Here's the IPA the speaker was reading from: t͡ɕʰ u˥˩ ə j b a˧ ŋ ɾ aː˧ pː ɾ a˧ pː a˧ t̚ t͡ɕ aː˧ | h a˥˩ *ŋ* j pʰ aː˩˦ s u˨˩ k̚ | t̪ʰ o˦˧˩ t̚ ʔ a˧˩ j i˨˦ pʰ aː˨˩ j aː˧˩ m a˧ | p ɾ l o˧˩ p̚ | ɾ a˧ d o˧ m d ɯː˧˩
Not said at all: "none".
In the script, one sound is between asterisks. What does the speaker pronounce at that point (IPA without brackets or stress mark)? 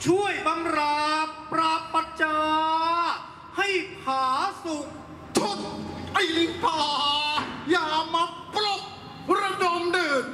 none